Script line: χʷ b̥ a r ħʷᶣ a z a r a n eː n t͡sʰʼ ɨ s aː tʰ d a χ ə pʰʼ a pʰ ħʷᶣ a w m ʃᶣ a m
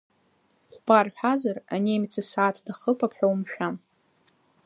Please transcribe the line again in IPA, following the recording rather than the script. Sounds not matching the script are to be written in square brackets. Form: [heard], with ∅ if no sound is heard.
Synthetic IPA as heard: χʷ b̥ a r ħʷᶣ a z a r a n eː [m] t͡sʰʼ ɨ s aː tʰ d a χ ə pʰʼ a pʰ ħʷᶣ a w m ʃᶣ a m